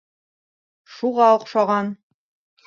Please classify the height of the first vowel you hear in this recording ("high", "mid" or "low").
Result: high